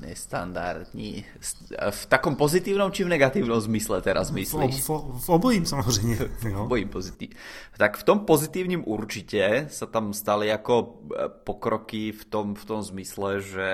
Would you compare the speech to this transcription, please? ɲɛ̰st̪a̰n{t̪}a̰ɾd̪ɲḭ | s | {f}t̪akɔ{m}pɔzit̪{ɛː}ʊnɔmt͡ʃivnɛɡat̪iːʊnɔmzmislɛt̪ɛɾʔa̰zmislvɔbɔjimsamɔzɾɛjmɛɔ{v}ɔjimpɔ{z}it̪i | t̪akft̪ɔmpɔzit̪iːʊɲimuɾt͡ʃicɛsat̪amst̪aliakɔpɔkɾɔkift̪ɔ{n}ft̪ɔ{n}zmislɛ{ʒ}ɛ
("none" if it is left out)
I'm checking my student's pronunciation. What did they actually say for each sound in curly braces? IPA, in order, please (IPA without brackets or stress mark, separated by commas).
d̪, f, m, iː, b, z, m, m, ʒ